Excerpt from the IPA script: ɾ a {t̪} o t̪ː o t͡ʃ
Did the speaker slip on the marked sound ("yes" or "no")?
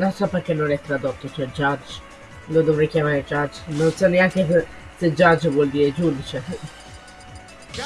yes